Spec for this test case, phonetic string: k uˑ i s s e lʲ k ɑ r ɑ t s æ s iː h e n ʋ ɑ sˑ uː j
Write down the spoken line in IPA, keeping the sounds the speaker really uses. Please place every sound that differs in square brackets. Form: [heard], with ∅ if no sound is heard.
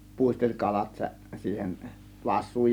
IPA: [p] uˑ i s [t] e lʲ k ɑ [l] ɑ t s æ s iː h e n ʋ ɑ sˑ uː j